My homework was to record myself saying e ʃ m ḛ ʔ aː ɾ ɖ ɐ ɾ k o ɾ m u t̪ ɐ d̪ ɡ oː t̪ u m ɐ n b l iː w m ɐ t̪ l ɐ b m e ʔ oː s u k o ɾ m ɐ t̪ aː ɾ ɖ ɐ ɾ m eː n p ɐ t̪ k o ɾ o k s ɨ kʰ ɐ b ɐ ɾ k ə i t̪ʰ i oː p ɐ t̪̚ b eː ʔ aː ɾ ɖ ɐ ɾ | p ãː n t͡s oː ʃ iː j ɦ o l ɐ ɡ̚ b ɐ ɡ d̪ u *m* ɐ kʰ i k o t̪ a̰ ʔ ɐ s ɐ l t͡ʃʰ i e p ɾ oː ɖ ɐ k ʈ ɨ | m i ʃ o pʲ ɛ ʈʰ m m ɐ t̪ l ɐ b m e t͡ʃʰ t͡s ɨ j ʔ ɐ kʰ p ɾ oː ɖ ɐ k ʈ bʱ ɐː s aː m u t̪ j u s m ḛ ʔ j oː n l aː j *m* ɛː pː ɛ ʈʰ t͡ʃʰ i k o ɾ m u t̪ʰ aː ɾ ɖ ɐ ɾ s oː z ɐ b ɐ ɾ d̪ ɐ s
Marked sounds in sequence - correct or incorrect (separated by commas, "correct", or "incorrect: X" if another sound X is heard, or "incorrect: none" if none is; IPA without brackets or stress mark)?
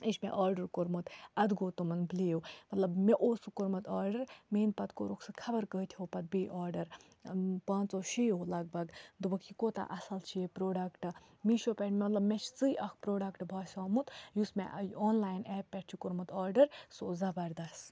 incorrect: b, incorrect: n